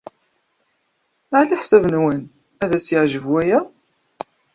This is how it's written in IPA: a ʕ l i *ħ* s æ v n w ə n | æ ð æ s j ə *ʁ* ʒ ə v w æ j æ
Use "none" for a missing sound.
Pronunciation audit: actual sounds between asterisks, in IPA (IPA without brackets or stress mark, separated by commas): ħ, ʕ